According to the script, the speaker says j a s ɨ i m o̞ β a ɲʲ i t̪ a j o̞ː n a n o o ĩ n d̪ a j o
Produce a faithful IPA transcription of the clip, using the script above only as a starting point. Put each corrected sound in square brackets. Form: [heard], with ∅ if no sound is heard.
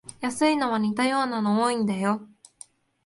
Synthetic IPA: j a s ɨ i [n] o̞ β a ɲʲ i t̪ a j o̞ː n a n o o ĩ n d̪ a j o